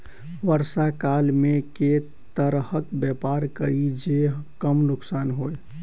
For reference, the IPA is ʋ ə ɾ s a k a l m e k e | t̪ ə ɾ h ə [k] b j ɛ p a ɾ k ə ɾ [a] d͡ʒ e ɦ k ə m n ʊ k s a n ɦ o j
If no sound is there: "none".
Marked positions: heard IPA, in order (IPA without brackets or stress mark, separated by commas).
k, i